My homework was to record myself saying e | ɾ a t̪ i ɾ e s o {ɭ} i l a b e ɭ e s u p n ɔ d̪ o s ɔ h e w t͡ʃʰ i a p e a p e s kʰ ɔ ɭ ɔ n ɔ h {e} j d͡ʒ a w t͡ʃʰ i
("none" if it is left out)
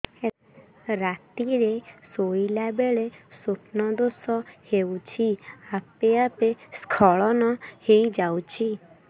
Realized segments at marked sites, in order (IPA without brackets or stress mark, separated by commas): none, e